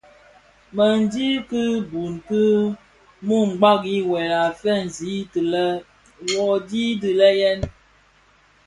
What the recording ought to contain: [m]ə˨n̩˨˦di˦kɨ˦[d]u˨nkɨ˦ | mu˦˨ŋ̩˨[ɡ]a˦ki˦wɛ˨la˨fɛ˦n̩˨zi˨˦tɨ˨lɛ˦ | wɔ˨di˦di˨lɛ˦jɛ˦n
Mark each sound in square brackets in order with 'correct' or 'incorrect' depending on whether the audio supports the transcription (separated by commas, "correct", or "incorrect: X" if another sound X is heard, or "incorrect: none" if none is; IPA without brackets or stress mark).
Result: correct, incorrect: b, incorrect: ɡ͡b